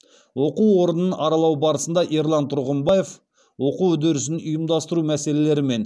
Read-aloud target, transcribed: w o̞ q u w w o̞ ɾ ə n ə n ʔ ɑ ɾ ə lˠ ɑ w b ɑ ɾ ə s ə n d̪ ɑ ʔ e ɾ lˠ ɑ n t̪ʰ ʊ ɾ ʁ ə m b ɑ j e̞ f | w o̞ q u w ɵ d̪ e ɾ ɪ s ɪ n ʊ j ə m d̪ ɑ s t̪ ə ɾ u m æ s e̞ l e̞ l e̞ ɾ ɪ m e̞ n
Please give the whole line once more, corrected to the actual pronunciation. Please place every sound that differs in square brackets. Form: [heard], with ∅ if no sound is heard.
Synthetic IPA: w o̞ q u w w o̞ ɾ ə n ə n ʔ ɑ ɾ [ɑ] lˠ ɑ w b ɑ ɾ ə s ə n d̪ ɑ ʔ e ɾ lˠ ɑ n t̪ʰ ʊ ɾ ʁ ə m b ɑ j e̞ f | w o̞ q u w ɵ d̪ e ɾ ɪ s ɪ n ʊ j ə m d̪ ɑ s t̪ ə ɾ u m æ s e̞ l e̞ l e̞ ɾ ɪ m e̞ n

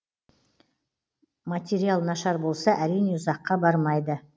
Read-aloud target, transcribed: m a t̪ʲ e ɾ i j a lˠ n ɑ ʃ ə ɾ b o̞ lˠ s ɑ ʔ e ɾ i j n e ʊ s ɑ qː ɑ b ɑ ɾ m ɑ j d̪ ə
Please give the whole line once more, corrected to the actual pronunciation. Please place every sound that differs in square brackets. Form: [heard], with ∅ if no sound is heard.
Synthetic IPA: m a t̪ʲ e ɾ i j a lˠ n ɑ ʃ [ɑ] ɾ b o̞ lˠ s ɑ ʔ [æ] ɾ i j n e ʊ [z] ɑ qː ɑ b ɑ ɾ m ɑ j d̪ ə

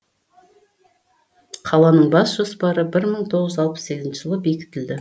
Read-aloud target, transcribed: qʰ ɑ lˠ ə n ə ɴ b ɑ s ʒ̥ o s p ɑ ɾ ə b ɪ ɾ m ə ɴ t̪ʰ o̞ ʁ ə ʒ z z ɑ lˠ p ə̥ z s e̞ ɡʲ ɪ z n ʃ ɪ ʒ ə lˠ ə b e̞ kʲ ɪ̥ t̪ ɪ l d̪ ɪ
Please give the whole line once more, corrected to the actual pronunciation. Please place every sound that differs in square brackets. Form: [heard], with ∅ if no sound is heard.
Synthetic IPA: qʰ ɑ lˠ [ɑ] n ə ɴ b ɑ s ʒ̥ o s p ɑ ɾ ə b ɪ ɾ m ə ɴ t̪ʰ o̞ ʁ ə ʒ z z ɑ lˠ p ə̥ [s] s e̞ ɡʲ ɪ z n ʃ ɪ ʒ ə lˠ ə b e̞ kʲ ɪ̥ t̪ ɪ l d̪ ɪ

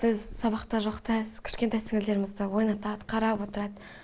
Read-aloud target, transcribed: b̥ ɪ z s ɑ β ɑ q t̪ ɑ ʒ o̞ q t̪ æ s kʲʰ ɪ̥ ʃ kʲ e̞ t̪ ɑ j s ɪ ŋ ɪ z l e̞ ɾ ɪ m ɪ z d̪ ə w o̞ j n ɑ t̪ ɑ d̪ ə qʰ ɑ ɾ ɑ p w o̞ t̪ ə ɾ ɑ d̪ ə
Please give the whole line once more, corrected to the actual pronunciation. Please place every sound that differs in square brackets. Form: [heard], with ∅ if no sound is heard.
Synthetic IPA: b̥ ɪ z s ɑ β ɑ q t̪ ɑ ʒ o̞ q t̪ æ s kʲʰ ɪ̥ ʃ kʲ e̞ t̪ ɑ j s ɪ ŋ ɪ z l e̞ ɾ ɪ m ɪ z d̪ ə w o̞ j n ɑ t̪ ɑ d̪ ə qʰ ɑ ɾ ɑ p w o̞ t̪ ə ɾ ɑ d̪ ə

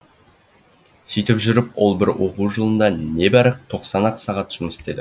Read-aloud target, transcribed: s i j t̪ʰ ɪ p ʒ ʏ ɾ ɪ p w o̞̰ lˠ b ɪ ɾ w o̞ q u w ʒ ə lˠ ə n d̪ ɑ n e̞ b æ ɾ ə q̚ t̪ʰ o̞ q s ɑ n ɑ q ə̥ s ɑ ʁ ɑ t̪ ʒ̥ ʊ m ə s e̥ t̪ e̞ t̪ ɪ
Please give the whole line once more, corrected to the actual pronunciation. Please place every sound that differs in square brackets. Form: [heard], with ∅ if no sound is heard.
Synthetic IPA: s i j [t̪] ɪ p ʒ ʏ ɾ ɪ p w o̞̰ lˠ b ɪ ɾ w o̞ q u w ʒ ə lˠ ə n d̪ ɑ n e̞ b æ ɾ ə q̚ t̪ʰ o̞ q s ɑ n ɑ q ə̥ s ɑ ʁ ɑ t̪ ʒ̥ ʊ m ə s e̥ t̪ e̞ [d̪] ɪ

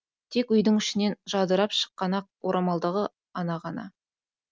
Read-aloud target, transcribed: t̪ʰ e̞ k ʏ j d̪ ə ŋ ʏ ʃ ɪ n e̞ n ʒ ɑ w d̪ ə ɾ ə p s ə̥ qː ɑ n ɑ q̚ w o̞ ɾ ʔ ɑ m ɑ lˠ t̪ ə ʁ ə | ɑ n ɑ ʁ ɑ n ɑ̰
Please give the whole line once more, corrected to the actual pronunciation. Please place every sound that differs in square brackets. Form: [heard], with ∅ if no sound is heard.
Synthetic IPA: t̪ʰ e̞ k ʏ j d̪ ə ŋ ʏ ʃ ɪ n e̞ n ʒ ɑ [∅] d̪ ə ɾ [ɑ] p [ʃ] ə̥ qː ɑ n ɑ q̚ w o̞ ɾ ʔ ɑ m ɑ lˠ [d̪] ə ʁ ə | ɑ n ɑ ʁ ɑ n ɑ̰

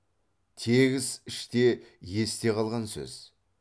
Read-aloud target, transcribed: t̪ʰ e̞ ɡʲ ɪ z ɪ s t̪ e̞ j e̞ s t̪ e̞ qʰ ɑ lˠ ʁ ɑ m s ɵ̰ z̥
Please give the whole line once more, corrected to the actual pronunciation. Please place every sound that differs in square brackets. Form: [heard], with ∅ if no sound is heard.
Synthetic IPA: t̪ʰ e̞ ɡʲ ɪ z ɪ [ʃ] t̪ e̞ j e̞ s t̪ e̞ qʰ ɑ lˠ ʁ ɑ [n] s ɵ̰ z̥

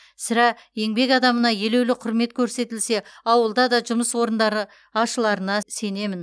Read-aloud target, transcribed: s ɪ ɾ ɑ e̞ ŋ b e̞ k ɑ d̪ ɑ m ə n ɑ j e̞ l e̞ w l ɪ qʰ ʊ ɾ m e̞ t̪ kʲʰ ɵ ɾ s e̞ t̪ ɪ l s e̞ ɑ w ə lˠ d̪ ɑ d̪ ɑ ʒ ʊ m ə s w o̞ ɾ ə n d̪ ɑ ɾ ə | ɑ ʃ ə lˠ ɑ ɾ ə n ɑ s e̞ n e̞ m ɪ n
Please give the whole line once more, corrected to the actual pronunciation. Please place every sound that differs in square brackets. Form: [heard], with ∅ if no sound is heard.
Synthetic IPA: s ɪ ɾ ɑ e̞ ŋ b e̞ k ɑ d̪ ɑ m ə n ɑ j e̞ l e̞ w l ɪ qʰ ʊ ɾ m e̞ t̪ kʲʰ ɵ ɾ s e̞ t̪ ɪ l s e̞ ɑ w ə lˠ d̪ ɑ d̪ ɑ ʒ ʊ m ə s w o̞ ɾ ə n d̪ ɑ ɾ ə | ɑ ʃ ə lˠ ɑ ɾ ə n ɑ s e̞ n e̞ m ɪ n

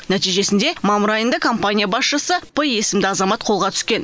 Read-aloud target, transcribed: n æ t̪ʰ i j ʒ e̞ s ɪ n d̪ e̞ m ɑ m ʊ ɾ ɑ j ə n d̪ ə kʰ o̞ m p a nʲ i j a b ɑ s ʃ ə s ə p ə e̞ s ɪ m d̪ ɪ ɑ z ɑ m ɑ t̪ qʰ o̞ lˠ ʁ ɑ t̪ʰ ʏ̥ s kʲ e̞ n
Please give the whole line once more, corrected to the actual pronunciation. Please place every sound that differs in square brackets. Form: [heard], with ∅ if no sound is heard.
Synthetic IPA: n æ [t̪] i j ʒ e̞ s ɪ n d̪ e̞ m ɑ m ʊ ɾ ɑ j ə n d̪ ə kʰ o̞ m p a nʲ i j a b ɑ s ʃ ə s ə p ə e̞ s ɪ m d̪ ɪ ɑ z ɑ m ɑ t̪ qʰ o̞ lˠ ʁ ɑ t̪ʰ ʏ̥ s kʲ e̞ n

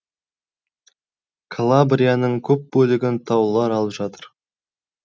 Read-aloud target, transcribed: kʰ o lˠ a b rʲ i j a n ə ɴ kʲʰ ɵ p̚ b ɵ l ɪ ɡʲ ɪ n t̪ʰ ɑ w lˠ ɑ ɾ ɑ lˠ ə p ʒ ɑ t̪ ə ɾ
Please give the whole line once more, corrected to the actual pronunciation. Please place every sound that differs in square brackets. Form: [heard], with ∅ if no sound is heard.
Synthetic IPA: kʰ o lˠ a b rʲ i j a n ə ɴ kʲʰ ɵ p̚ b ɵ l ɪ ɡʲ ɪ n t̪ʰ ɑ w lˠ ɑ ɾ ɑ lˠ ə p ʒ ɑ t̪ ə ɾ

